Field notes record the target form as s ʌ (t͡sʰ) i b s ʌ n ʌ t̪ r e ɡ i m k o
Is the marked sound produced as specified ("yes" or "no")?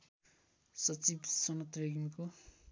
no